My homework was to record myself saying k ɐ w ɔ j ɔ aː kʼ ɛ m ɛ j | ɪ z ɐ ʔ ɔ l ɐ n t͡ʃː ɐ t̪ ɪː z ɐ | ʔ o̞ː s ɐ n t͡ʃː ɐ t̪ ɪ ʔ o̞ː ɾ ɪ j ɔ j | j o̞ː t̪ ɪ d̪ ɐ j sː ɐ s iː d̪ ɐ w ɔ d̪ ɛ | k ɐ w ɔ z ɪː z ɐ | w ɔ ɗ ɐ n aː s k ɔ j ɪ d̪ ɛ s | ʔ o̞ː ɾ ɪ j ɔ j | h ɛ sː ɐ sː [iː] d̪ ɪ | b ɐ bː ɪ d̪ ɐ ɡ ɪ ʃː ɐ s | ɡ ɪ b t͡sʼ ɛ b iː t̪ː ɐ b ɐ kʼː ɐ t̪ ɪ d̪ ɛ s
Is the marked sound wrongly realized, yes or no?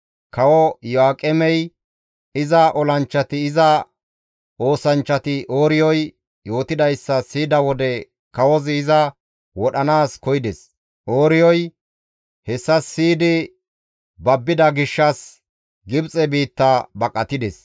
no